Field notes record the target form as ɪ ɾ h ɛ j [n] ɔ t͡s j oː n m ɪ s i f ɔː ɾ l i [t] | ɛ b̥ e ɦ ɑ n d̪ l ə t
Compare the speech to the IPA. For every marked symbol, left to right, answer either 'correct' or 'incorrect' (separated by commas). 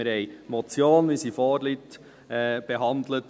incorrect, correct